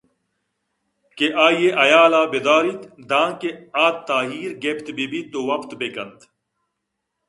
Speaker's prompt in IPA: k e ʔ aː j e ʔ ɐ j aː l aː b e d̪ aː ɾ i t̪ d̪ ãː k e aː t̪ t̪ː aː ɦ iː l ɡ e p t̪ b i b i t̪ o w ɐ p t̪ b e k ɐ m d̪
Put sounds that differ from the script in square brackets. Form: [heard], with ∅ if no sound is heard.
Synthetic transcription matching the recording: k e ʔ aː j e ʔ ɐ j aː l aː b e d̪ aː ɾ i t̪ d̪ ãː k e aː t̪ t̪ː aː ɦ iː [ɾ] ɡ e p t̪ b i b i t̪ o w ɐ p t̪ b e k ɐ [n] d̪